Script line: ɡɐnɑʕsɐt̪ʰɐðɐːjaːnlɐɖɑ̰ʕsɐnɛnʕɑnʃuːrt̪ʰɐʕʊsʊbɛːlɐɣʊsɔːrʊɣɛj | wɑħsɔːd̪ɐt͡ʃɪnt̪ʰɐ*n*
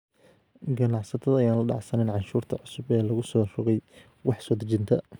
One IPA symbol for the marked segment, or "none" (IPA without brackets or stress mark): none